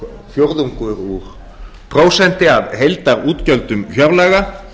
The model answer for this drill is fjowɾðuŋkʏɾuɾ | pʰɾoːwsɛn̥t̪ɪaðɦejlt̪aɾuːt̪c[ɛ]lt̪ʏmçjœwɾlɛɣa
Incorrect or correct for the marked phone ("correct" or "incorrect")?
incorrect